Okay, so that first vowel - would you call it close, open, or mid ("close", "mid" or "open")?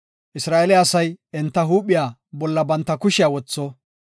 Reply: close